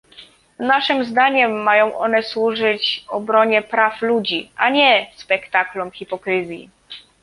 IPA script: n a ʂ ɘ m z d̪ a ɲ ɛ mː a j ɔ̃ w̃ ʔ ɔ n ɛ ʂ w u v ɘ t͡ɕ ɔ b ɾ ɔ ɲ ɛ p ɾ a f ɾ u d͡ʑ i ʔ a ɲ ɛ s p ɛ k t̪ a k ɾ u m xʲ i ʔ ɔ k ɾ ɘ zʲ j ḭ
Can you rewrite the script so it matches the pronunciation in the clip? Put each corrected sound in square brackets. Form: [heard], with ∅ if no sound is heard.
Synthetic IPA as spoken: n a ʂ ɘ m z d̪ a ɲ ɛ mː a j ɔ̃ w̃ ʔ ɔ n ɛ [s] w u [ʐ] ɘ t͡ɕ ɔ b ɾ ɔ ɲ ɛ p ɾ a f [l] u d͡ʑ i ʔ a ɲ ɛ s p ɛ k t̪ a k [l] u m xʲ i [p] ɔ k ɾ ɘ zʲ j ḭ